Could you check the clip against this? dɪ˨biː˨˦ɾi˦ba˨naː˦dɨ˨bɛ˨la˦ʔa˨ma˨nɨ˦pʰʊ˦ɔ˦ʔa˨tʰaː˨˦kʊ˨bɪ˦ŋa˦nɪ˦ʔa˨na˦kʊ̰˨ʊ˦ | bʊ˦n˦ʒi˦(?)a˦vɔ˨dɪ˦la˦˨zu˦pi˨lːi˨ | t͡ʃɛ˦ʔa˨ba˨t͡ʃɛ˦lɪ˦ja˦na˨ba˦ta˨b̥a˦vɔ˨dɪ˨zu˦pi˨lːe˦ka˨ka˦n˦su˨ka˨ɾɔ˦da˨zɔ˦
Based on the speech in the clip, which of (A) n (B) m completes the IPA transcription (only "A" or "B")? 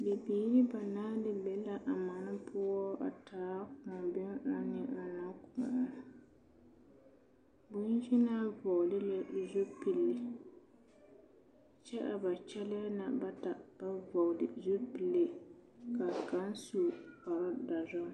A